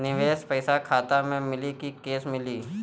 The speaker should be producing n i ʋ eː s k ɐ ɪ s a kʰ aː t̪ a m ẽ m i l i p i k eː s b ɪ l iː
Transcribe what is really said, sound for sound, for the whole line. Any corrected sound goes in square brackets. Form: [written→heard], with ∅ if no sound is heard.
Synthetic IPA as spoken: n [i→ɪ] ʋ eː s [k→p] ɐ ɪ s a kʰ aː t̪ a m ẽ m [i→ɪ] l i [p→k] i k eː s [b→m] ɪ l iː